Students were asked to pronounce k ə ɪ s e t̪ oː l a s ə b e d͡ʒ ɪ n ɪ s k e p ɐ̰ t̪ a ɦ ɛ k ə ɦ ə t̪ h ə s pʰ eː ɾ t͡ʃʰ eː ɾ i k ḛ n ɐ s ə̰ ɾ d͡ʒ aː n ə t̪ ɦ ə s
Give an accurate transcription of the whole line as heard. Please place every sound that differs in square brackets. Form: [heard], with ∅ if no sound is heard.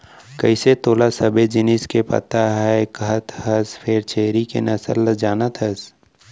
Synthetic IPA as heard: k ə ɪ s e t̪ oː l a s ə b e d͡ʒ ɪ n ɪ s k e p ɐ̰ t̪ a ɦ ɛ k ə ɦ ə t̪ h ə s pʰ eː ɾ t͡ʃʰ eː ɾ i k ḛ n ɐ s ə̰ [l] d͡ʒ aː n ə t̪ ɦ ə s